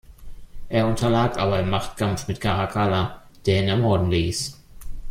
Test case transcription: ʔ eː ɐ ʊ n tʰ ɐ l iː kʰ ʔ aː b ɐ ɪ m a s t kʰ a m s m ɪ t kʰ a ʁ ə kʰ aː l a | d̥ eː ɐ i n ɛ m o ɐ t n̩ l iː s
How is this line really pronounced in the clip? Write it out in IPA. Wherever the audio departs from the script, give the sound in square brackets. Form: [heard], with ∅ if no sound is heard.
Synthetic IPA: ʔ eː ɐ ʊ n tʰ ɐ l [aː] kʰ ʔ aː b ɐ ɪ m a [χ] t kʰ a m [f] m ɪ t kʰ a ʁ [a] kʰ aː l a | d̥ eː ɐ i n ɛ m [ɔ] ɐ [d] n̩ l iː s